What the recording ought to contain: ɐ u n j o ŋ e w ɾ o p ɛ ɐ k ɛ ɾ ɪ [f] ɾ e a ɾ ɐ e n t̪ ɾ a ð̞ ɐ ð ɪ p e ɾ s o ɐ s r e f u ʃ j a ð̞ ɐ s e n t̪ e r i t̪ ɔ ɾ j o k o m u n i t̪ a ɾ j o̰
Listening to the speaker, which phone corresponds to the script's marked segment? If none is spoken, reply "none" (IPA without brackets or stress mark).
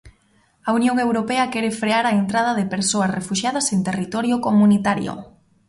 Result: f